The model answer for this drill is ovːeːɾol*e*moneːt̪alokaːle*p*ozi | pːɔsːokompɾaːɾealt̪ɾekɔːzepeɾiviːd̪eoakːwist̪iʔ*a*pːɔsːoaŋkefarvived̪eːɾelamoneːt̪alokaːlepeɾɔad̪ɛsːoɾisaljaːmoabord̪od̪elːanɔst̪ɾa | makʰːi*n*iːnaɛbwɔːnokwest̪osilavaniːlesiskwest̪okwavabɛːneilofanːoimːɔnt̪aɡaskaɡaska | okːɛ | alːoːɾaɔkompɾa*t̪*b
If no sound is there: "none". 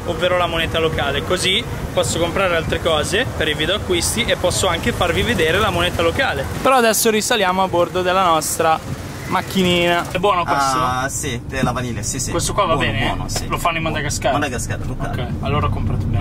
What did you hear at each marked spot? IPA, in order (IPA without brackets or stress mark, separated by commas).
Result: a, k, e, n, t̪